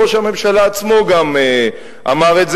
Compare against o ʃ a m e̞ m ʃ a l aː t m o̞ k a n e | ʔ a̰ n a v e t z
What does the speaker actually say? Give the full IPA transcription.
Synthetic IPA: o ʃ a m e̞ m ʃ a l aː t͡s m o̞ ɡ a m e | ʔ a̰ m a ʁ e t z